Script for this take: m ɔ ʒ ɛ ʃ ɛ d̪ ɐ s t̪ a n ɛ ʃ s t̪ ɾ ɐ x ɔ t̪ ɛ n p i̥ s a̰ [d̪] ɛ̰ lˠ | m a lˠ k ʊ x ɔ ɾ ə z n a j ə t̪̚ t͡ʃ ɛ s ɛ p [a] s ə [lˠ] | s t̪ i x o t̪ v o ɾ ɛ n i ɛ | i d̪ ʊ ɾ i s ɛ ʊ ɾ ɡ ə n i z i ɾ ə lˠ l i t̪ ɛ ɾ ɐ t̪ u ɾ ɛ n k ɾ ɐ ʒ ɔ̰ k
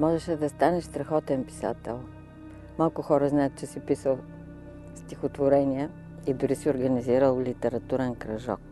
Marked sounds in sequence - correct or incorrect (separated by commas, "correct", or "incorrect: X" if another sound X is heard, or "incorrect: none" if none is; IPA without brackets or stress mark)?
incorrect: t̪, incorrect: i, correct